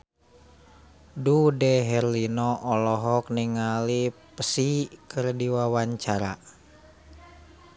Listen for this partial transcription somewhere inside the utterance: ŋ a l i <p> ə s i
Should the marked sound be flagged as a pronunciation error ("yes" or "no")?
no